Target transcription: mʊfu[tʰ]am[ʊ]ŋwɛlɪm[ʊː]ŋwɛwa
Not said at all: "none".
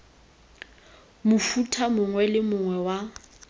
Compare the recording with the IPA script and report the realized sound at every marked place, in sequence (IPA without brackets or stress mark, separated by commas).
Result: tʰ, ʊ, ʊ